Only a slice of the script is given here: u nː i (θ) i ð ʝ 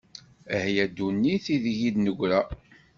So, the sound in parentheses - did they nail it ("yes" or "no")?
yes